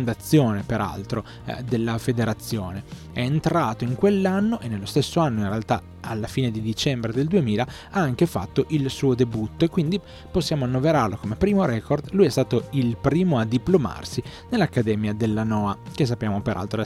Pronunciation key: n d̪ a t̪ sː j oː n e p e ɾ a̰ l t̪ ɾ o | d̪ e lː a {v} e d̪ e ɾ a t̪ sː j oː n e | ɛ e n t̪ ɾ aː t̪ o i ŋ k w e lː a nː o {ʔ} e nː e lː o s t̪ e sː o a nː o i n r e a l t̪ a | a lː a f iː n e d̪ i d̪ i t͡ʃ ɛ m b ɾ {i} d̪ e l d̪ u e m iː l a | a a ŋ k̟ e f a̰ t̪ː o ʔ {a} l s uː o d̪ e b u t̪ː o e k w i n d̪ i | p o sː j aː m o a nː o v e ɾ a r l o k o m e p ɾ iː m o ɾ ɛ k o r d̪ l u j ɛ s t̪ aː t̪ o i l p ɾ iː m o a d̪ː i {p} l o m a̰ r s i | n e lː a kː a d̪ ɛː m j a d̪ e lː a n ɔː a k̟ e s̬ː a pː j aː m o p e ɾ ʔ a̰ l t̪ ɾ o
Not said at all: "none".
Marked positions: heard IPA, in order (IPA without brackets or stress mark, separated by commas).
f, ʔ, e, i, p